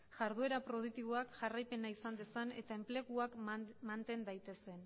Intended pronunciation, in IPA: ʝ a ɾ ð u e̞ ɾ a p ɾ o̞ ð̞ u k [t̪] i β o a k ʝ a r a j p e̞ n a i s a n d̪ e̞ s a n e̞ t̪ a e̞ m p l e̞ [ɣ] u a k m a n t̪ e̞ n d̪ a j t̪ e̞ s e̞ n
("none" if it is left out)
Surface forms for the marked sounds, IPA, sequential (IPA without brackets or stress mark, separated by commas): t̪, ɣ